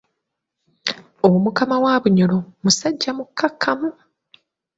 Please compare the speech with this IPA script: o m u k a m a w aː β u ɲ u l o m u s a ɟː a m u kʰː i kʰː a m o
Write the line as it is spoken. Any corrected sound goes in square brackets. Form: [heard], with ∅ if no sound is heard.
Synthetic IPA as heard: o m u k a m a w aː β u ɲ [o] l o m u s a ɟː a m u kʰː [a] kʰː a m [u]